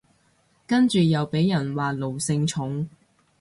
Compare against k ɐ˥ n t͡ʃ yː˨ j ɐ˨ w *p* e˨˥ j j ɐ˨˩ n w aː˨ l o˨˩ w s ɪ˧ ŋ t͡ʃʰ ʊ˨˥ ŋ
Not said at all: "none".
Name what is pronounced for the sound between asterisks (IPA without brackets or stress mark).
p